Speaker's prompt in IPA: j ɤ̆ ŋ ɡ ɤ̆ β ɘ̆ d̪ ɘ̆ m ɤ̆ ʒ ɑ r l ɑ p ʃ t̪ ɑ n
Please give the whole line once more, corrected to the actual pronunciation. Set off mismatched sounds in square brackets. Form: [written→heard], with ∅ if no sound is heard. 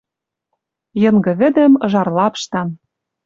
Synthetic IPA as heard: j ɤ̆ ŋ ɡ ɤ̆ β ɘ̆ d̪ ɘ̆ m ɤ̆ ʒ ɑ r l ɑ p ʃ t̪ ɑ n